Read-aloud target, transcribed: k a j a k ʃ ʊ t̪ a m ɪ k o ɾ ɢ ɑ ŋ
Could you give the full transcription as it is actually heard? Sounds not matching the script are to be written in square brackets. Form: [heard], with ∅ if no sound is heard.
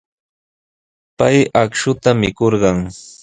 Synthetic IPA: [p] a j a k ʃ ʊ t̪ a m ɪ k o ɾ ɢ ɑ ŋ